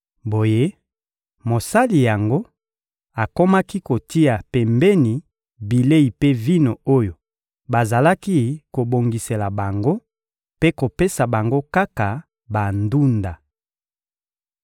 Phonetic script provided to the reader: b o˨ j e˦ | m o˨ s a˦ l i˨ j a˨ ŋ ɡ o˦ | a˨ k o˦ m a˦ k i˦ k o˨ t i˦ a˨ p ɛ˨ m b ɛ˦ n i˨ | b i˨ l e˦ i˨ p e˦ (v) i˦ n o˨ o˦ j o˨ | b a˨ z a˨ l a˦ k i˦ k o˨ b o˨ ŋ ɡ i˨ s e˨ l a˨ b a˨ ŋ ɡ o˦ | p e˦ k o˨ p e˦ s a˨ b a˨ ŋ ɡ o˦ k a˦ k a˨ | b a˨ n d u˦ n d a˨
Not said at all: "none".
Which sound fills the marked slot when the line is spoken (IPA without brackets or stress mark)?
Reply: v